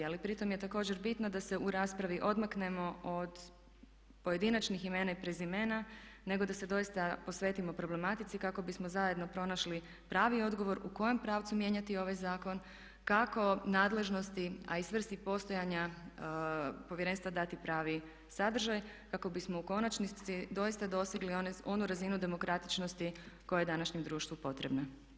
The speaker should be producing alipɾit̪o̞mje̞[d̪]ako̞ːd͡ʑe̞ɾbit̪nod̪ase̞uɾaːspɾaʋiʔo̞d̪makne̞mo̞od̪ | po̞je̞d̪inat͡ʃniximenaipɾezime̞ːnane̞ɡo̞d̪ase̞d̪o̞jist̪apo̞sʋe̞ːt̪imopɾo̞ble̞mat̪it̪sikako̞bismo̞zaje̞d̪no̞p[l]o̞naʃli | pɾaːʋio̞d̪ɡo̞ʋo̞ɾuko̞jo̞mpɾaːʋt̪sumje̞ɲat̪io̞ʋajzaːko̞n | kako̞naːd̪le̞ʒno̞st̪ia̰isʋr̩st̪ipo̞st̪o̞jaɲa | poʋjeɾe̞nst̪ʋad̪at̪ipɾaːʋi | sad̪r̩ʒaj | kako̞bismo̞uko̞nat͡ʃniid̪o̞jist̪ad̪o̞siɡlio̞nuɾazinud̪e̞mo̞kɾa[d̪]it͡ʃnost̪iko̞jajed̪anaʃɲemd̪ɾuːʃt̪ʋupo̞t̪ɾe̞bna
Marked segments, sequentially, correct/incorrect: incorrect: t̪, incorrect: ɾ, incorrect: t̪

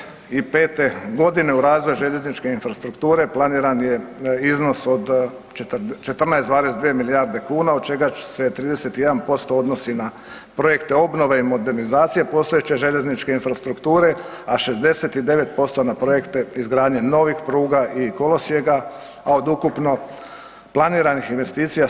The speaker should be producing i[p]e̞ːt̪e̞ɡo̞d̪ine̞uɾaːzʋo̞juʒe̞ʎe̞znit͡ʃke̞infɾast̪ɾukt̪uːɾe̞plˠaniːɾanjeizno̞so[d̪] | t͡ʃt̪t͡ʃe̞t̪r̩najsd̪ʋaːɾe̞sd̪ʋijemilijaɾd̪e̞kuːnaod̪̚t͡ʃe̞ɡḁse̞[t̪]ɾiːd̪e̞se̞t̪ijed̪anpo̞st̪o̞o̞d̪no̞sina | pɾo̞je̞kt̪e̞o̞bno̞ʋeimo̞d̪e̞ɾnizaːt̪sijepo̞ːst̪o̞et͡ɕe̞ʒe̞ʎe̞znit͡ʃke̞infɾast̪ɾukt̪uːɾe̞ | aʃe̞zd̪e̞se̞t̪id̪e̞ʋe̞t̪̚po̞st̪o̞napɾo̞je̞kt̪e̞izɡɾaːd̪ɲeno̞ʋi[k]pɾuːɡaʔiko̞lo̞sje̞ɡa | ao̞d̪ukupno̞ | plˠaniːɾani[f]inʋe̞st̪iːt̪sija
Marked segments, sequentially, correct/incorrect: correct, correct, correct, incorrect: x, incorrect: x

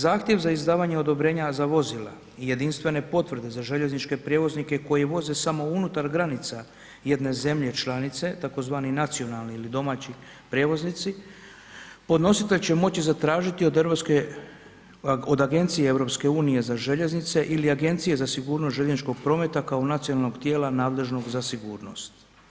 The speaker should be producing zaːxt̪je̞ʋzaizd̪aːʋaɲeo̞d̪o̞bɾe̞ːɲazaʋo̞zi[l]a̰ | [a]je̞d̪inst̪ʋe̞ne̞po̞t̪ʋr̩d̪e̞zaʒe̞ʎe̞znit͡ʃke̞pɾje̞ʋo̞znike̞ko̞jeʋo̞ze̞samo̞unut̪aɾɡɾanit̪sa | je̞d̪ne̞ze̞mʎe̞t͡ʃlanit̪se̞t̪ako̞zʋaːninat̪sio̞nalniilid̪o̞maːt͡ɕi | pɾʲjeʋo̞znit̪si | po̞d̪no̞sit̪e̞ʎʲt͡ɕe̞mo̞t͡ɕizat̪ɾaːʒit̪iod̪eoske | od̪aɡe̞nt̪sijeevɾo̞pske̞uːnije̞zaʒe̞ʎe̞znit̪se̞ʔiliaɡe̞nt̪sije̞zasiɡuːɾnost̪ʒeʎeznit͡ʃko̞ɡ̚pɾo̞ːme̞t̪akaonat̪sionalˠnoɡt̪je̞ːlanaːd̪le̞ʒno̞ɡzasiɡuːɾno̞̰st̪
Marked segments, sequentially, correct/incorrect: correct, incorrect: i

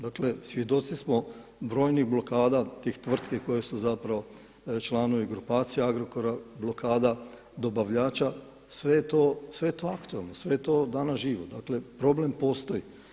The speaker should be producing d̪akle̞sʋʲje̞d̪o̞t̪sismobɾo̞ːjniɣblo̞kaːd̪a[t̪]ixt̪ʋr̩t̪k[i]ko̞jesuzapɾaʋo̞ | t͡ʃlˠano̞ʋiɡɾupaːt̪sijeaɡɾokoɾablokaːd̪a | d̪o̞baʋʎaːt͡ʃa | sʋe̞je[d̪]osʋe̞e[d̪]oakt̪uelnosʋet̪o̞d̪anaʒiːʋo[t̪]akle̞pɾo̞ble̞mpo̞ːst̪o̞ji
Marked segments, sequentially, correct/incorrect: correct, incorrect: e, incorrect: t̪, incorrect: t̪, incorrect: d̪

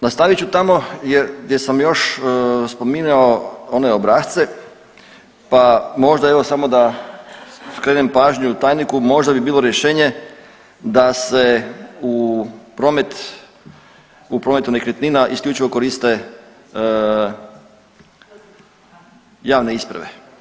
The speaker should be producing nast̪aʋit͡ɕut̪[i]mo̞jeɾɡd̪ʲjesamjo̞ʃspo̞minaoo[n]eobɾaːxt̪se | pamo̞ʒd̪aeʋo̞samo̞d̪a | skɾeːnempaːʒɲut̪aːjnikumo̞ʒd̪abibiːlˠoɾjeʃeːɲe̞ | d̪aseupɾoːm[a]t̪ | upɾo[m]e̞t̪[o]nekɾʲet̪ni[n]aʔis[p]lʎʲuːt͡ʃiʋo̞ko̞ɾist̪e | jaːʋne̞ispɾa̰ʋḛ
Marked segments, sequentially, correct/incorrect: incorrect: a, correct, incorrect: e, correct, incorrect: u, correct, incorrect: k

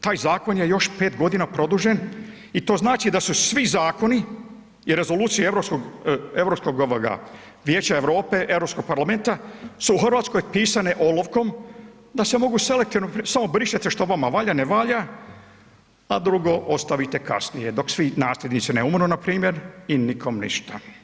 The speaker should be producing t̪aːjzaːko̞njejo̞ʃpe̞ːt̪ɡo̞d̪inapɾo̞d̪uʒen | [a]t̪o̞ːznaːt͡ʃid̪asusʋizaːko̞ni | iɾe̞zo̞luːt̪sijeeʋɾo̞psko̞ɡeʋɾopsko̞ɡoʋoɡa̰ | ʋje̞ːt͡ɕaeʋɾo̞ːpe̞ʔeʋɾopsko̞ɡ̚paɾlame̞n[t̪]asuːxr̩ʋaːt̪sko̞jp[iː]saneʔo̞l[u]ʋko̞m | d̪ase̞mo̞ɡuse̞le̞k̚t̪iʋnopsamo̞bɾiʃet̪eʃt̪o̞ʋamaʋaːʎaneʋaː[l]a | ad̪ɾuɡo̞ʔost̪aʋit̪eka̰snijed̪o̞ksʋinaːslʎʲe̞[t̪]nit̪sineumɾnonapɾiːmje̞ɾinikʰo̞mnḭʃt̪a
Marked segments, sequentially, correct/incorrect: incorrect: i, correct, correct, incorrect: o, incorrect: ʎ, incorrect: d̪

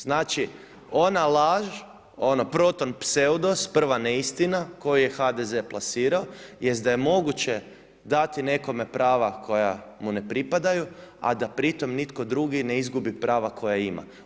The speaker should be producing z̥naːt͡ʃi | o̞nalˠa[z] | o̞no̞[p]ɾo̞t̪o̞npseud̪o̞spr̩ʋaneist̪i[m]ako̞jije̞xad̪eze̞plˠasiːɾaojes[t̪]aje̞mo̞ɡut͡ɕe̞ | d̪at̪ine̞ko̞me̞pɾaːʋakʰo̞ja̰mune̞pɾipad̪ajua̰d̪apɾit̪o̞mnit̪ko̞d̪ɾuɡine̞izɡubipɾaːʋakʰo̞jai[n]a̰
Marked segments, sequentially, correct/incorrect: incorrect: ʒ, correct, incorrect: n, incorrect: d̪, incorrect: m

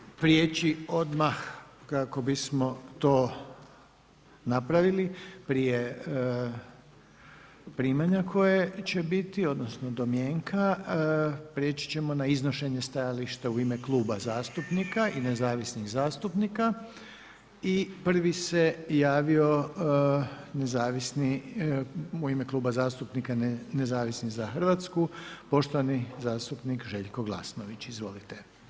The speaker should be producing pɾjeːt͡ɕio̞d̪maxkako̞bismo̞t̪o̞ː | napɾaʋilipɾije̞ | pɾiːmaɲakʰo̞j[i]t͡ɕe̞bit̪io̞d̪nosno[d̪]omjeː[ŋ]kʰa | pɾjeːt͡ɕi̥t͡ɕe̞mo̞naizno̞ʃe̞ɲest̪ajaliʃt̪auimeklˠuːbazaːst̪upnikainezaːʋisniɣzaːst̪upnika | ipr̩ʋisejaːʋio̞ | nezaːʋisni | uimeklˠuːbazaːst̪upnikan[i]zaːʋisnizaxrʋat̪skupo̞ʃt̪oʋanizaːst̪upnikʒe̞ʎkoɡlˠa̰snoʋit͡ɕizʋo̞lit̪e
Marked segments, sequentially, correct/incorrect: incorrect: e, correct, correct, incorrect: e

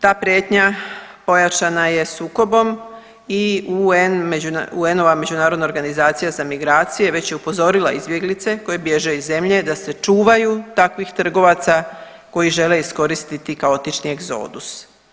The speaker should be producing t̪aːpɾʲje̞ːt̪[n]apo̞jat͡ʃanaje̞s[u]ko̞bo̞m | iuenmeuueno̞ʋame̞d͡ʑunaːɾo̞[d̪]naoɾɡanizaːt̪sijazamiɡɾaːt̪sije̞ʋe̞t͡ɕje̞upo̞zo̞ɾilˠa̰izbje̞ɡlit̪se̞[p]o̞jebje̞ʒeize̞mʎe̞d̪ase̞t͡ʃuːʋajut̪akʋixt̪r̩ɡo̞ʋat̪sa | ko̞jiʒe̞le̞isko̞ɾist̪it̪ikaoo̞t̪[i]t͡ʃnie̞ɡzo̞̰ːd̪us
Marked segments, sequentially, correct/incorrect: incorrect: ɲ, incorrect: uː, correct, incorrect: k, correct

